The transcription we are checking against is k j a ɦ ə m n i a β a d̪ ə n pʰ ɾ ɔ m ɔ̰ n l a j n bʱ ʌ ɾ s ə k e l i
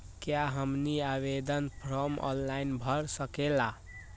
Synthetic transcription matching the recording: k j a ɦ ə m n i a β e d̪ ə n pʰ ɾ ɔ m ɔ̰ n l a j n bʱ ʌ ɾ s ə k e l a